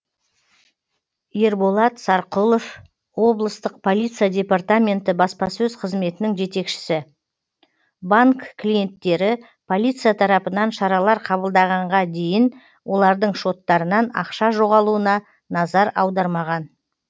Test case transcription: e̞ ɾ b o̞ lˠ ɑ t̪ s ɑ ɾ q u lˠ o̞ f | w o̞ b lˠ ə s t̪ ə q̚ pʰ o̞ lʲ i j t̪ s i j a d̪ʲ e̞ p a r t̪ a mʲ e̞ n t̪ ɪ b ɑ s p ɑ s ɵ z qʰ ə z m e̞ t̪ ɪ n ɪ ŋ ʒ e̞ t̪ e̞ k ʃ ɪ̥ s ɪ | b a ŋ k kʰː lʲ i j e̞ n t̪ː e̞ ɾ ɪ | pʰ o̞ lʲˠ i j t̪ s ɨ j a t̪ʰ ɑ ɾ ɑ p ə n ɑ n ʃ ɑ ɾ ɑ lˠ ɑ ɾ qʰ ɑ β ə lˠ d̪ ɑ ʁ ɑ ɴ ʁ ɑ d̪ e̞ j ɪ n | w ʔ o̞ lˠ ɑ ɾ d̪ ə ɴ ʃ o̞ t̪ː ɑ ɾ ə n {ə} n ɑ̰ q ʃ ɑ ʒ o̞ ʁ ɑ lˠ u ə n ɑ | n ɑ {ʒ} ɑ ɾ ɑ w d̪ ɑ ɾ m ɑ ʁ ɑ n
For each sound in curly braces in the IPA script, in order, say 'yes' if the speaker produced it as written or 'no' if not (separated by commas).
no, no